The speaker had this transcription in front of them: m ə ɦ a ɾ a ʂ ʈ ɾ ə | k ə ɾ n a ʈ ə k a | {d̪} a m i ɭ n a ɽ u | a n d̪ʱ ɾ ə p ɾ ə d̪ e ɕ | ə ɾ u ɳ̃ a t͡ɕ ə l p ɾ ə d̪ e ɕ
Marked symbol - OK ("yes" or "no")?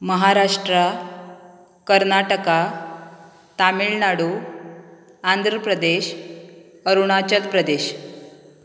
no